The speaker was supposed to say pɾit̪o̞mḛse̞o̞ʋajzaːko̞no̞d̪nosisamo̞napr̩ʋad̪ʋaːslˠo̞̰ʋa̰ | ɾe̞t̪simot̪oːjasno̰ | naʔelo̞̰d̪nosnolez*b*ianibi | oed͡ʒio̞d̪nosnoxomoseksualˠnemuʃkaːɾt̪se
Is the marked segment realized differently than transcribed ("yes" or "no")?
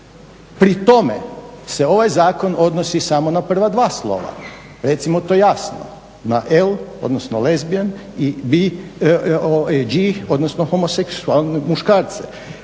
no